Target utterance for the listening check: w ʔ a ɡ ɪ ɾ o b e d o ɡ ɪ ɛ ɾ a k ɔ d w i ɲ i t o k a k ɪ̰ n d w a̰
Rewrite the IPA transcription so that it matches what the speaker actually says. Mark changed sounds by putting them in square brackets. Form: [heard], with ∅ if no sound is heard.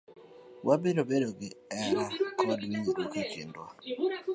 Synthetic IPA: w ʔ a [b] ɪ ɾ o b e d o ɡ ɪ ɛ ɾ a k ɔ d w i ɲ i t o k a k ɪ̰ n d w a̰